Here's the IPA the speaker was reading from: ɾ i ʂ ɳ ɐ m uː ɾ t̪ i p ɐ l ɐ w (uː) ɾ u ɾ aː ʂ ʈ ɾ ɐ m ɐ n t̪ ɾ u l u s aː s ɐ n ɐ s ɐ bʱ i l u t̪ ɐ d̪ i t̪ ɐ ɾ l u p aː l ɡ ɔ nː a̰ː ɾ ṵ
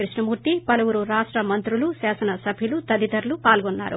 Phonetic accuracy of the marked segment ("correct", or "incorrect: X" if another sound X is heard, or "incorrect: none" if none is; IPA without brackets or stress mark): incorrect: u